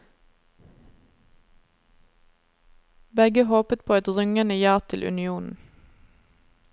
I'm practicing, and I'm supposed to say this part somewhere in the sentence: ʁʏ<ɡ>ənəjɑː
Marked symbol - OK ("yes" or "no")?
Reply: no